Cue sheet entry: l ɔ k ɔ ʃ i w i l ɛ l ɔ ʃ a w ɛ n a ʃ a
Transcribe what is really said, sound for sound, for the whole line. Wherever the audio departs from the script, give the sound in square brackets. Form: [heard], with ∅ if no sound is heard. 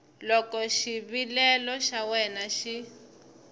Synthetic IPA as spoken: l ɔ k ɔ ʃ i [β] i l ɛ l ɔ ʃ a w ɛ n a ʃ [i]